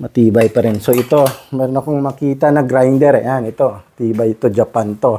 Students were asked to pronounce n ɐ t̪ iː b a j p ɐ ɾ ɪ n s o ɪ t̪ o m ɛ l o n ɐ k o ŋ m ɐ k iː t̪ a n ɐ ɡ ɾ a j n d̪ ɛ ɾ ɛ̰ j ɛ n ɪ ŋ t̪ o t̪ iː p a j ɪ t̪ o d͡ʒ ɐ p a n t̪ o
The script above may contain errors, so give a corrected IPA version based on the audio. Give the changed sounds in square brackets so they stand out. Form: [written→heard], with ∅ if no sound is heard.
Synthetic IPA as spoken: [n→m] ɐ t̪ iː b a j p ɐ ɾ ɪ n s o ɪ t̪ o m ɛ [l→ɾ] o n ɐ k o ŋ m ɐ k iː t̪ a n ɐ ɡ ɾ a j n d̪ ɛ ɾ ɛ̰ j [ɛ→a] n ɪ [ŋ→∅] t̪ o t̪ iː [p→b] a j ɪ t̪ o d͡ʒ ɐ p a n t̪ o